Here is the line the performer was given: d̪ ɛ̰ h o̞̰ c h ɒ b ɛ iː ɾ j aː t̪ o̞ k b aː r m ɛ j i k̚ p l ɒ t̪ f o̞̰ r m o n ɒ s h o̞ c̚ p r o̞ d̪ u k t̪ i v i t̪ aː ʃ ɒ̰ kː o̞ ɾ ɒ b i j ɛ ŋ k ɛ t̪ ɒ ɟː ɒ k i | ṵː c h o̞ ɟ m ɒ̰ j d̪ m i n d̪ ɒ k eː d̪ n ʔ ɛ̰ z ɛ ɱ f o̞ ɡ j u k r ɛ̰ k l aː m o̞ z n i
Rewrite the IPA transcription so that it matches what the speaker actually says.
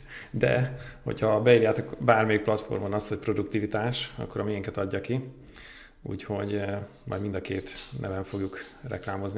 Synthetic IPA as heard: d̪ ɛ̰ h o̞̰ c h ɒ b ɛ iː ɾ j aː t̪ o̞ k b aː r m ɛ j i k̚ p l ɒ t̪ f o̞̰ r m o n ɒ s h o̞ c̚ p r o̞ d̪ u k t̪ i v i t̪ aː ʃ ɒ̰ kː o̞ ɾ ɒ m i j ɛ ŋ k ɛ t̪ ɒ ɟː ɒ k i | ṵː c h o̞ ɟ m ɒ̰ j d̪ m i n d̪ ɒ k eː t̪ n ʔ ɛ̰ v ɛ ɱ f o̞ ɡ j u k r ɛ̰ k l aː m o̞ z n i